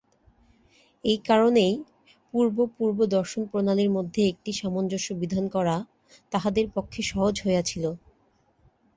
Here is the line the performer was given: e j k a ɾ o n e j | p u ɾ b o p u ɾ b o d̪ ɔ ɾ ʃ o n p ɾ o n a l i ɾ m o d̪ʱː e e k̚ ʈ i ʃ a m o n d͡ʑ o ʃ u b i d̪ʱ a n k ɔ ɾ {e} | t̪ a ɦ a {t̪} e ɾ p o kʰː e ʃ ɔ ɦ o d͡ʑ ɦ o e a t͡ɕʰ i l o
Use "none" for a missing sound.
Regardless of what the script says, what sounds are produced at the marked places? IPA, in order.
a, d̪

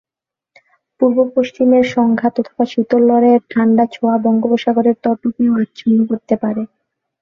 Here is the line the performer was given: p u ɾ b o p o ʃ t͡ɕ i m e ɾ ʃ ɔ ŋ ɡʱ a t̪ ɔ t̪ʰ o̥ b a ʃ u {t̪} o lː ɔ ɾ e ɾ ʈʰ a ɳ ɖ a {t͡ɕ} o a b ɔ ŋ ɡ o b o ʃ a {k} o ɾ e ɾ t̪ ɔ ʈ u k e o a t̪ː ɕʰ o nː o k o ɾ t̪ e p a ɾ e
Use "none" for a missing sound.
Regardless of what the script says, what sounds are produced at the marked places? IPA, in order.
t̪, t͡ɕʰ, ɡ

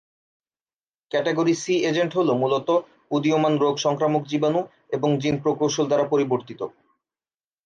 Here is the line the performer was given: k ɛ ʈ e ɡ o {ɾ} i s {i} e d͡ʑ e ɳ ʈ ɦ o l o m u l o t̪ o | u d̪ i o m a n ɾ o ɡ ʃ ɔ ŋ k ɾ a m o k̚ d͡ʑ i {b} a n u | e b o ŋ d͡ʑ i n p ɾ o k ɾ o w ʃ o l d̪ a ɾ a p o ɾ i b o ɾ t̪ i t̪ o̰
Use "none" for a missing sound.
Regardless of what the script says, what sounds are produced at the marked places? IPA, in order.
ɾ, i, b

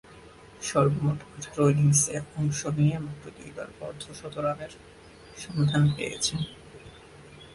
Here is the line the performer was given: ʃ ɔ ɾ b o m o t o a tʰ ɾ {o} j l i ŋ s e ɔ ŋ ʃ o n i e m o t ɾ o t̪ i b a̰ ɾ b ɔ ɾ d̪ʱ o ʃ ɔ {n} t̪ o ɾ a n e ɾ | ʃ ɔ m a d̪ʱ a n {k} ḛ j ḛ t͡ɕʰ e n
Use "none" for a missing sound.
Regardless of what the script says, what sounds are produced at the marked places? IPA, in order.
o, none, p

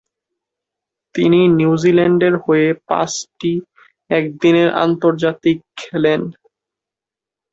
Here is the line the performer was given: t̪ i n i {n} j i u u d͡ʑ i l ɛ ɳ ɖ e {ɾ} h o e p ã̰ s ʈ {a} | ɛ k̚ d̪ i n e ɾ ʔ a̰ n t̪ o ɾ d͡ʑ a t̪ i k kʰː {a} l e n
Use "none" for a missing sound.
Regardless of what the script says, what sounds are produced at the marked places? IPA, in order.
n, ɾ, i, ɛ

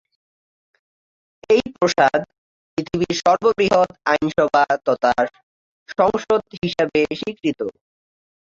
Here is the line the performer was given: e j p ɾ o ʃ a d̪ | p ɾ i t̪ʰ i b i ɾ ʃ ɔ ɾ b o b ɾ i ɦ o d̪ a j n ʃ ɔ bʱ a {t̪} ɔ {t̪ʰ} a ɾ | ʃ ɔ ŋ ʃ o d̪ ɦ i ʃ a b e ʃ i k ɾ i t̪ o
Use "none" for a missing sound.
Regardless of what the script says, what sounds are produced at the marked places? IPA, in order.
t̪, t̪

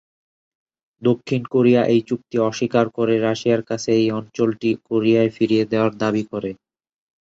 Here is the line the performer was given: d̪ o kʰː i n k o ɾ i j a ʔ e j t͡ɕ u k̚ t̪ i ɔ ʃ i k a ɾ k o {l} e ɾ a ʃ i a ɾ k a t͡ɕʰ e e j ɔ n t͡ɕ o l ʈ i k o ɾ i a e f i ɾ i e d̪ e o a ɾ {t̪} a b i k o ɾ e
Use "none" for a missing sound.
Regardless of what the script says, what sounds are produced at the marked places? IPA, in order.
ɾ, d̪

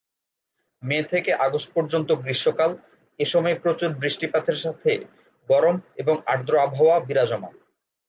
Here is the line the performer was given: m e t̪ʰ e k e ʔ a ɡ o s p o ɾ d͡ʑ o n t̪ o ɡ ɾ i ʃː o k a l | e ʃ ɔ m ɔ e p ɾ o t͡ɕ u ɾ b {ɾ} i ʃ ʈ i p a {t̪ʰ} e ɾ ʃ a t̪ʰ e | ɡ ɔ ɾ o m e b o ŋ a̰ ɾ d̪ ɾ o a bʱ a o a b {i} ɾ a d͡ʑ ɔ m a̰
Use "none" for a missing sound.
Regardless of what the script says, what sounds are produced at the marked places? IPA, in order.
ɾ, t̪ʰ, i

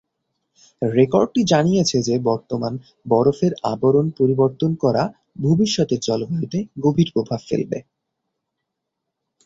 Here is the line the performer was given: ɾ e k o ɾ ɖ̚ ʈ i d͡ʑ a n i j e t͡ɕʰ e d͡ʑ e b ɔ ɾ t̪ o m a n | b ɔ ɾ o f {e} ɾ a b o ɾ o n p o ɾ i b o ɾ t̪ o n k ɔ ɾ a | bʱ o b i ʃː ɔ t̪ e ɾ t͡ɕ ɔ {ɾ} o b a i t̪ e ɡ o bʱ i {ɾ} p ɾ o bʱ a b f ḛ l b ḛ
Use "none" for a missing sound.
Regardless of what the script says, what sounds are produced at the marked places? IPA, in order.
e, l, ɾ

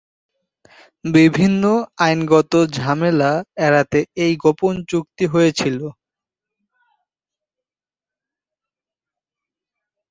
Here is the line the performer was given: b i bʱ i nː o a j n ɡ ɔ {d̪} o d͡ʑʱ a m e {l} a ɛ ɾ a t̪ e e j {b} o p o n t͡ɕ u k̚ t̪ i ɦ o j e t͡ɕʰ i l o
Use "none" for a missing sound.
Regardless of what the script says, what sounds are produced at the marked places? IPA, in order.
t̪, l, ɡ

